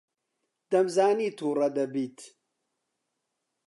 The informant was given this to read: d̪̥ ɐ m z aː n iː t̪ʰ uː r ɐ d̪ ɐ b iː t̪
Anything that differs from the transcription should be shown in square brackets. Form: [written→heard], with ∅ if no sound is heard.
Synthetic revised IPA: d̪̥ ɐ m z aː n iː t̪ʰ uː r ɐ d̪ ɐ b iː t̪